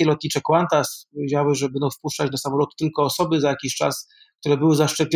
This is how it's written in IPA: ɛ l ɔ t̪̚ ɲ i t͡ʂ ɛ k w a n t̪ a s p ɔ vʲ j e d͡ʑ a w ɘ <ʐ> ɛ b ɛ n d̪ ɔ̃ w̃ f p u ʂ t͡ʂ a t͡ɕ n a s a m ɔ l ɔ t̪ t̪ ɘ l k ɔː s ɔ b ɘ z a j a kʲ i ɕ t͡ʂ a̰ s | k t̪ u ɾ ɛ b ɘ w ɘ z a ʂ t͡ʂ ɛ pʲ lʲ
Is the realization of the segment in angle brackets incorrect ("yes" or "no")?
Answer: no